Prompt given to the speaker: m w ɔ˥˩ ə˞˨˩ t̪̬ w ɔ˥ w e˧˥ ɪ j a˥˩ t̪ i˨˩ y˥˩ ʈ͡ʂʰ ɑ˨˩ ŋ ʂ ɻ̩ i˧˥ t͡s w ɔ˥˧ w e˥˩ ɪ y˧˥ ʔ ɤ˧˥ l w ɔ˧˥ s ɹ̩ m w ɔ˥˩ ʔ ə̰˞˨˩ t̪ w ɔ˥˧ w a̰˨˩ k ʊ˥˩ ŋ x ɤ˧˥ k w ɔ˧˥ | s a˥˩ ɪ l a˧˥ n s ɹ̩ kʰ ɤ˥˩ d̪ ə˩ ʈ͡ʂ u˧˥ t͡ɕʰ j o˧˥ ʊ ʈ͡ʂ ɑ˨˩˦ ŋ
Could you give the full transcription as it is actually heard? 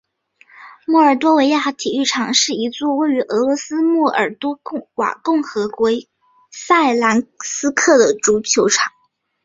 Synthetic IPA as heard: m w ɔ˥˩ ə˞˨˩ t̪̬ w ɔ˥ w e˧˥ ɪ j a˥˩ t̪ʰ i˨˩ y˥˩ ʈ͡ʂʰ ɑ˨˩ ŋ ʂ ɻ̩ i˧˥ t͡s w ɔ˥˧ w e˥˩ ɪ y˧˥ ʔ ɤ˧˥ l w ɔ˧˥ s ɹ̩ m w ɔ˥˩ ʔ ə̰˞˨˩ t̪ w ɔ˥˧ w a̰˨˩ k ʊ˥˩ ŋ x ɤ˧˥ k w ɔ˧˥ | s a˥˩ ɪ l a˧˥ n s ɹ̩ kʰ ɤ˥˩ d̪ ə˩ ʈ͡ʂ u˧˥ t͡ɕʰ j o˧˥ ʊ ʈ͡ʂʰ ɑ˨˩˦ ŋ